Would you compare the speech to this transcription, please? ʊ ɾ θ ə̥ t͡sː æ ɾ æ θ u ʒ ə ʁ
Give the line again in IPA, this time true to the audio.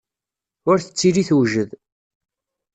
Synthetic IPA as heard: ʊ ɾ θ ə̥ t͡sː i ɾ i θ w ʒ ə ð